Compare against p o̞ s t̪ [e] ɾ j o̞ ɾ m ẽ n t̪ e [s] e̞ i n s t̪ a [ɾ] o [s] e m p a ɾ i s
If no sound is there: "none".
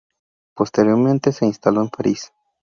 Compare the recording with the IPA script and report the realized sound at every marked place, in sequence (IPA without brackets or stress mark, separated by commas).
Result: e, s, l, none